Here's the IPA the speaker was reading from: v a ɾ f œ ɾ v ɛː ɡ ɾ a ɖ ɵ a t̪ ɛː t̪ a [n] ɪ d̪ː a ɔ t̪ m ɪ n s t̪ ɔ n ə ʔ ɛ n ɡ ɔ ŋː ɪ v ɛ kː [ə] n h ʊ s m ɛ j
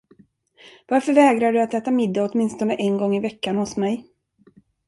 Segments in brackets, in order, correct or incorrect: incorrect: m, incorrect: a

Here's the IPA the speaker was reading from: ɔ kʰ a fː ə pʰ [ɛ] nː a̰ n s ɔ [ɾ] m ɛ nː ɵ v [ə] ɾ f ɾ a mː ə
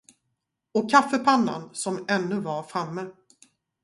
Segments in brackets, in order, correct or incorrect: incorrect: a, incorrect: none, incorrect: a

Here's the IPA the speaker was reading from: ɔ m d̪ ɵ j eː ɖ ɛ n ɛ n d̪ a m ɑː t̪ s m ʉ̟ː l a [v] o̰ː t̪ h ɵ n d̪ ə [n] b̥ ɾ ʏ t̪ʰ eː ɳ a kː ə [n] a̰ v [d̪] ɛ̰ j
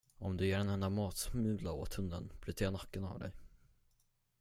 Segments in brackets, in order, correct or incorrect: incorrect: none, correct, correct, correct

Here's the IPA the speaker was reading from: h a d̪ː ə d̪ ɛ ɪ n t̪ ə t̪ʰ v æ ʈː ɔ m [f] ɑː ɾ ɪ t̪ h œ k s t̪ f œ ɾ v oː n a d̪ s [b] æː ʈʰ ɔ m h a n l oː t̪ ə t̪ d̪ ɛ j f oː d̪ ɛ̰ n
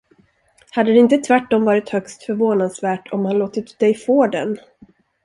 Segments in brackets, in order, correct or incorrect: incorrect: v, incorrect: v

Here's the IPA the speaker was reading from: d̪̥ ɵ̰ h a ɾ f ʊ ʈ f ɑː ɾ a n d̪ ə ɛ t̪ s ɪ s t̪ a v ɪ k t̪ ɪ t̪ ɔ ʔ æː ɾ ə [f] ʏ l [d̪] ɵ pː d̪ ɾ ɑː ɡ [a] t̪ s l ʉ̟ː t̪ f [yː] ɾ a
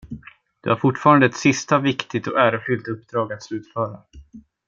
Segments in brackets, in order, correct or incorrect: correct, incorrect: t̪, correct, incorrect: œː

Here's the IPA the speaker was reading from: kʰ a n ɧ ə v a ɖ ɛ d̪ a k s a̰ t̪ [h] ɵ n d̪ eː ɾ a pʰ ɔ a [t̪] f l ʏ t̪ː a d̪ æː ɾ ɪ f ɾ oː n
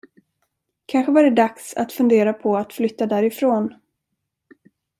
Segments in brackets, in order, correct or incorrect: incorrect: f, correct

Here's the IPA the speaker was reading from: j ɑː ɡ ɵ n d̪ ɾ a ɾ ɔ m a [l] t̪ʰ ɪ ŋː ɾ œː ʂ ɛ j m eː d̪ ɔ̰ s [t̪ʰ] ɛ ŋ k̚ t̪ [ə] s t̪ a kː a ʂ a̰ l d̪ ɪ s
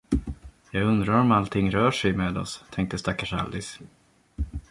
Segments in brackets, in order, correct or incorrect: correct, correct, correct

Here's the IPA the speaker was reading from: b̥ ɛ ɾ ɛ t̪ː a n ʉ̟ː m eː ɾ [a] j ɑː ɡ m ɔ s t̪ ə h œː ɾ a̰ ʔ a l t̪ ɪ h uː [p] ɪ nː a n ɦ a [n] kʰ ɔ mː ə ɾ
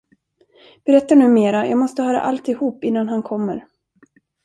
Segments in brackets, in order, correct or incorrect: correct, correct, correct

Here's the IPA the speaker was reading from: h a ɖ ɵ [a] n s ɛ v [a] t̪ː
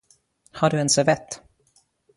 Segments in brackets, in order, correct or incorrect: incorrect: ɛ, incorrect: ɛ

